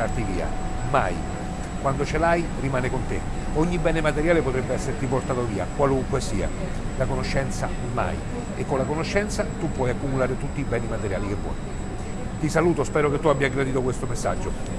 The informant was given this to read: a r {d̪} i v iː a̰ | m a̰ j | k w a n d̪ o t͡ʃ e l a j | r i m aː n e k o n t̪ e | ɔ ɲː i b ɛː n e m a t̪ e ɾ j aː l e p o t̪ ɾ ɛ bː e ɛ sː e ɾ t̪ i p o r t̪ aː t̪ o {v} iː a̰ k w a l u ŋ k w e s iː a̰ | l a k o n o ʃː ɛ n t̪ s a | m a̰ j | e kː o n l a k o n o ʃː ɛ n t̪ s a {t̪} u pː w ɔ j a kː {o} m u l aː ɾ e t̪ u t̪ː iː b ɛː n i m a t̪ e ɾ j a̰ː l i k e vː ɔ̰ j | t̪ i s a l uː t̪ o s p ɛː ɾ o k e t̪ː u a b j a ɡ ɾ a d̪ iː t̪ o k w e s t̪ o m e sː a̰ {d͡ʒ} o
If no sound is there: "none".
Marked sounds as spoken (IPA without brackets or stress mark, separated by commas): t̪, v, t̪, u, d͡ʒː